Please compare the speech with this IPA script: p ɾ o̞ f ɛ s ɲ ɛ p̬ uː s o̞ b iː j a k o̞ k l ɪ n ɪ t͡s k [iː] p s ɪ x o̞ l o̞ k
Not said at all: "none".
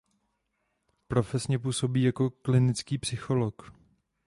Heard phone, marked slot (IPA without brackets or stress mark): iː